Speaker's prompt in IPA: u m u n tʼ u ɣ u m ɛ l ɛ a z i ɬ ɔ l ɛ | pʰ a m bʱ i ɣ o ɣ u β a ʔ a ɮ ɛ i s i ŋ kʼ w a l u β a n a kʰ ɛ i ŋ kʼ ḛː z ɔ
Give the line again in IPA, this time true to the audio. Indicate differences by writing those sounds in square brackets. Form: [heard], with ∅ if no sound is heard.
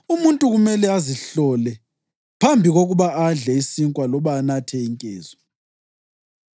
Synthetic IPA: u m u n tʼ u ɣ u m ɛ l ɛ a z i ɬ ɔ l ɛ | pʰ a m bʱ i ɣ o ɣ u β a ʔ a ɮ ɛ i s i ŋ kʼ w a l [ɔ] β a n a [tʰ] ɛ i ŋ kʼ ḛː z ɔ